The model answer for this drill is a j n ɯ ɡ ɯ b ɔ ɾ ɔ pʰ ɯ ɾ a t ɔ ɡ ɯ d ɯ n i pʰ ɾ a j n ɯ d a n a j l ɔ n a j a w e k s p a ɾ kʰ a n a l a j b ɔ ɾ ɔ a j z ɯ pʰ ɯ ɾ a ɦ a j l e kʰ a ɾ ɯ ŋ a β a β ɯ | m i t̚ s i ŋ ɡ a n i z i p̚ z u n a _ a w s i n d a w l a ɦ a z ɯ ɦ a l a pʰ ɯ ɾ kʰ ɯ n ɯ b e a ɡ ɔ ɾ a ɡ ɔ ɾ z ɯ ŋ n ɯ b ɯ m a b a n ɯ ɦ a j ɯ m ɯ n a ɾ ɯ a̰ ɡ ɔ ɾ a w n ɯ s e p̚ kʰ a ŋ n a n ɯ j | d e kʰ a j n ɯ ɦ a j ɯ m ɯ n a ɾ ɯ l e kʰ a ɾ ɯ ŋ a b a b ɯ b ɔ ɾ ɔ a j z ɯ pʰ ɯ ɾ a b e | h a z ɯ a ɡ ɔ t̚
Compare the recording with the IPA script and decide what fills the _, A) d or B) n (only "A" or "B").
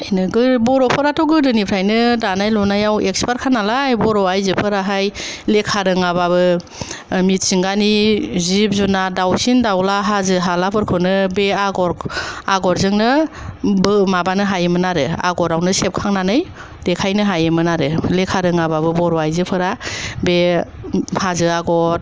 A